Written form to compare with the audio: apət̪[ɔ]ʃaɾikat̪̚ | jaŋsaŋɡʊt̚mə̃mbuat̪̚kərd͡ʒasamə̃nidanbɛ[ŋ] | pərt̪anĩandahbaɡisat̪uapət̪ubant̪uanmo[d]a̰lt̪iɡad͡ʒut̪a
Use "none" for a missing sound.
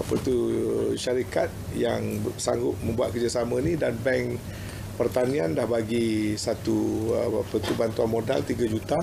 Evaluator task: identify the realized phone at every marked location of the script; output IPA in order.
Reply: u, ŋ, d

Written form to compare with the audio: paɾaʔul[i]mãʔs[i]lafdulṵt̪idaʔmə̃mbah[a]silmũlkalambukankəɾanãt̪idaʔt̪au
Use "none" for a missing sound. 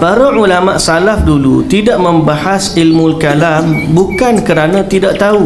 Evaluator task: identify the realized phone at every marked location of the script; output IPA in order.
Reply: a, a, a

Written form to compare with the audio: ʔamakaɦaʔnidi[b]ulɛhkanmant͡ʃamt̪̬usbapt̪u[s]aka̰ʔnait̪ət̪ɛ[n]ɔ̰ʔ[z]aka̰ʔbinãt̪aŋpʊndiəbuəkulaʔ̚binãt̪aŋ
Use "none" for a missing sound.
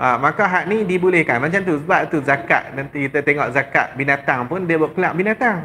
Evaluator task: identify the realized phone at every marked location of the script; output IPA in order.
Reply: b, z, ŋ, z

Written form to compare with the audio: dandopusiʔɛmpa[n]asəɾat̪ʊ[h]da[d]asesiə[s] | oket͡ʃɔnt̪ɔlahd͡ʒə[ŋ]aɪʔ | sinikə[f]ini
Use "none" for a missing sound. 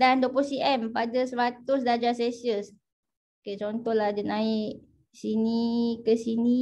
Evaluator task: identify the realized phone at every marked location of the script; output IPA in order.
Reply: d, s, d͡ʒ, s, n, s

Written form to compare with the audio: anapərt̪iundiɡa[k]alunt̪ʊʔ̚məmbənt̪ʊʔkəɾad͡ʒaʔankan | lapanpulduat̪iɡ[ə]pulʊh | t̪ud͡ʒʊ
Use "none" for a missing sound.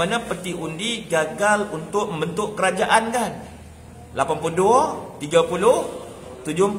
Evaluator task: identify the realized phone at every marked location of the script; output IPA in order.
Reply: ɡ, a

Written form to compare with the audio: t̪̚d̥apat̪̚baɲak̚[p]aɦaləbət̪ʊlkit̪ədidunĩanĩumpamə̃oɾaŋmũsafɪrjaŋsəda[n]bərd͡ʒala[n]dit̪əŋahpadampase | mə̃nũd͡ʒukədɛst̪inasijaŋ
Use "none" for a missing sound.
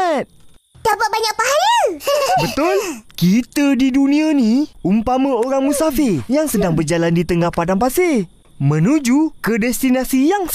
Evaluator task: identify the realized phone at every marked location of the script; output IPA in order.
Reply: p, ŋ, n

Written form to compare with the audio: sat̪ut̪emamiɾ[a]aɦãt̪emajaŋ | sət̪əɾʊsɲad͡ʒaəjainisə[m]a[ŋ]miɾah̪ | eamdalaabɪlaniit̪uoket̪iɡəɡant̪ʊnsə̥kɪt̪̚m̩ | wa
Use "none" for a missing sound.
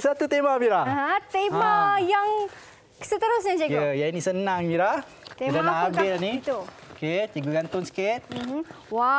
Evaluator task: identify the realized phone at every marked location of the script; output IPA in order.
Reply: a, n, ŋ

